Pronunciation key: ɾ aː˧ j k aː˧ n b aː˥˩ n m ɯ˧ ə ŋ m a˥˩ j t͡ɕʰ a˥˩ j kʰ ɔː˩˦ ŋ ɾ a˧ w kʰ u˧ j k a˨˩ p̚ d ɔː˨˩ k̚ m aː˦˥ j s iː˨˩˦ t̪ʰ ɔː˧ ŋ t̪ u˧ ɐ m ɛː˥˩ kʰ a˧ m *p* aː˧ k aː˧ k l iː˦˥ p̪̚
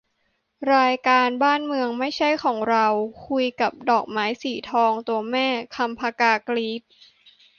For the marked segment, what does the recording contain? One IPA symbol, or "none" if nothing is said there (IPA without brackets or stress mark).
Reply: pʰ